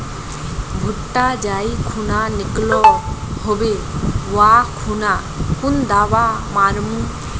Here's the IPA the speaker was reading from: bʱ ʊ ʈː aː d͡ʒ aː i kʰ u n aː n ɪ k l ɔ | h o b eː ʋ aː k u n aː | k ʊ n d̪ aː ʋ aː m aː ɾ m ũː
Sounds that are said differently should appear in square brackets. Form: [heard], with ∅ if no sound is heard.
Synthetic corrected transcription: bʱ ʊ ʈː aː d͡ʒ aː i kʰ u n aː n ɪ k l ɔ | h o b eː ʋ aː [kʰ] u n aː | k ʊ n d̪ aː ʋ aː m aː ɾ m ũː